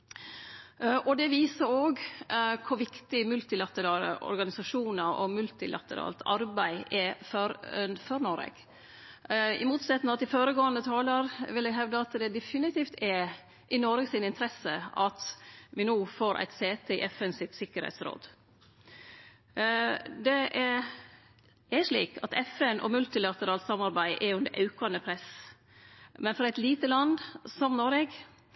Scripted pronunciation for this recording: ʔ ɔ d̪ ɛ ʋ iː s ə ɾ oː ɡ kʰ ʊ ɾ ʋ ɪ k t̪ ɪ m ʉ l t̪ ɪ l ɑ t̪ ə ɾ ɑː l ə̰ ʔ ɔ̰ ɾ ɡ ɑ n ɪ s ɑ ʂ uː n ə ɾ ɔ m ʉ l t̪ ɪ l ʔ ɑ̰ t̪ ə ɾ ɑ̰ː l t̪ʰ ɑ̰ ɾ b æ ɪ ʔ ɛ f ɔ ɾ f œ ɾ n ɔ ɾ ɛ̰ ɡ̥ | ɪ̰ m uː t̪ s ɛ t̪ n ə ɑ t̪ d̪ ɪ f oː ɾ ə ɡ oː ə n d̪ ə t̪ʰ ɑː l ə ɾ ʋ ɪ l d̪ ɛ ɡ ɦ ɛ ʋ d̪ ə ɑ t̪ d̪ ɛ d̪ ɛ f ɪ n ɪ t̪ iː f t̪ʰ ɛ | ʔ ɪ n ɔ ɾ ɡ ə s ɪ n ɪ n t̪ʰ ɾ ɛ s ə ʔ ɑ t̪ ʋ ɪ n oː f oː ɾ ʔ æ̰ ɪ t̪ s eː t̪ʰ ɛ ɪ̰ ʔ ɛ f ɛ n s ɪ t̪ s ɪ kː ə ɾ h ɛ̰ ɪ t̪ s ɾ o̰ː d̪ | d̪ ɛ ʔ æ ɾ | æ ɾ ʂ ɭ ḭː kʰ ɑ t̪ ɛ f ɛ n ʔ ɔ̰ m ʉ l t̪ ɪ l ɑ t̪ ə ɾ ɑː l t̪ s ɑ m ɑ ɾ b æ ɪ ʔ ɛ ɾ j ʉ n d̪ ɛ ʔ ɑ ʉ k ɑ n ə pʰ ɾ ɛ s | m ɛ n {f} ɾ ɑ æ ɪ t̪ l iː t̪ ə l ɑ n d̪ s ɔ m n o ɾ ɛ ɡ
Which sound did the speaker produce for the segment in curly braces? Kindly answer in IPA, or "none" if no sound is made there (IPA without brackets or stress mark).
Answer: f